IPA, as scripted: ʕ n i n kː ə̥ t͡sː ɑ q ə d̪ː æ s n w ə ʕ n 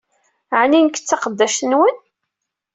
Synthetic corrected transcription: ʕ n i n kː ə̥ t͡sː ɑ q ə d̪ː æ ʃ n w ə n